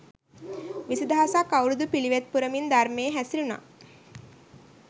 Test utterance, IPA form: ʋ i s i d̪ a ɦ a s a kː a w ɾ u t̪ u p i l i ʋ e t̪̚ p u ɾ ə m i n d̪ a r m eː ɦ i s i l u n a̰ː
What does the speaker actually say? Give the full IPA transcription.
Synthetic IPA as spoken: ʋ i s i d̪ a ɦ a s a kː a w ɾ u d̪ u p i l i ʋ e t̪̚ p u ɾ ə m i n d̪ a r m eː ɦ æ s i l u n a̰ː